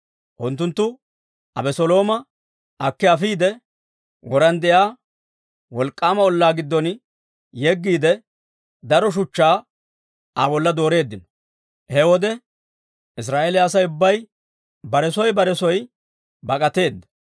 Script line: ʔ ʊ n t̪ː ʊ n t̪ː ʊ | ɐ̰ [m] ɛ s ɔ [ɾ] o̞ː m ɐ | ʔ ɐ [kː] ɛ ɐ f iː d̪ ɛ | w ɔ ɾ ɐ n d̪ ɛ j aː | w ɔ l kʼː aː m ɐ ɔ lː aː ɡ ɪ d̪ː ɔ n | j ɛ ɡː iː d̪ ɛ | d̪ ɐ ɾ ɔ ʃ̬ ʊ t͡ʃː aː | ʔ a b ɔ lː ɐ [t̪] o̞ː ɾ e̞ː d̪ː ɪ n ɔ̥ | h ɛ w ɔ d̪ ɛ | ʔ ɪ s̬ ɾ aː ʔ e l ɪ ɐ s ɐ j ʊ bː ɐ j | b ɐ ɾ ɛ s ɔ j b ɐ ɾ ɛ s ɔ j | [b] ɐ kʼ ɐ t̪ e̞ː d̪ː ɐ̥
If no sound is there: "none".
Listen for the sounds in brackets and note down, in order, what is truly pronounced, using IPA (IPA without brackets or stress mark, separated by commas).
b, l, kː, d̪, b